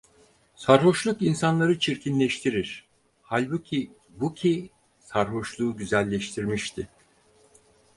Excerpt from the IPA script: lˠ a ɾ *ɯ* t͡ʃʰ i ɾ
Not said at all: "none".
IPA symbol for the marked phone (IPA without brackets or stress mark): ɯ